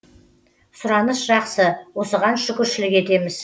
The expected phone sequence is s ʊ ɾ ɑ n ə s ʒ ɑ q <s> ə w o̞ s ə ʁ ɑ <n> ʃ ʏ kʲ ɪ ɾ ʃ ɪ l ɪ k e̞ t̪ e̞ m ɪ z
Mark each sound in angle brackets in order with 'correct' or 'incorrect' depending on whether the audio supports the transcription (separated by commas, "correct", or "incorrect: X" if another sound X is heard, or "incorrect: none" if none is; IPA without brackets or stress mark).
correct, correct